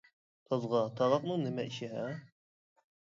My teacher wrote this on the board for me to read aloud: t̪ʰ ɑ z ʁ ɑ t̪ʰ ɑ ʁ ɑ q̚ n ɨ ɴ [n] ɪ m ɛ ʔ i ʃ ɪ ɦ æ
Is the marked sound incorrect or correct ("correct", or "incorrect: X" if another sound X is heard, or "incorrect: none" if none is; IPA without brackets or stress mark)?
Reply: correct